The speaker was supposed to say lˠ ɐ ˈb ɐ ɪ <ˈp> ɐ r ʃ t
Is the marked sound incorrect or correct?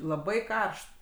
incorrect